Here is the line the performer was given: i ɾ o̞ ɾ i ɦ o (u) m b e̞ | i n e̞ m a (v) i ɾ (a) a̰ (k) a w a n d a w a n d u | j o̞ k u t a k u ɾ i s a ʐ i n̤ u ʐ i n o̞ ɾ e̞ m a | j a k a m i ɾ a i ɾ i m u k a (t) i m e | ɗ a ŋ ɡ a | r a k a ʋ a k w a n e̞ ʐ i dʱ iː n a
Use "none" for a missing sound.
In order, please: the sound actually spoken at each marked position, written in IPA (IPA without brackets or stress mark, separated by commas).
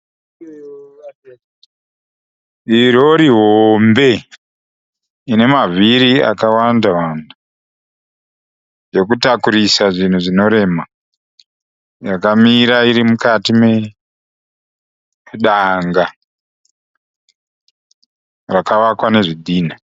o, v, i, k, t